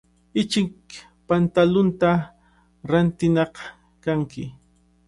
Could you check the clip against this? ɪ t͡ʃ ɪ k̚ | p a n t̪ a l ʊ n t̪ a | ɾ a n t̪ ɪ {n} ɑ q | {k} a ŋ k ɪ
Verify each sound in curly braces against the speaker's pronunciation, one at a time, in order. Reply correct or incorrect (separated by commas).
correct, correct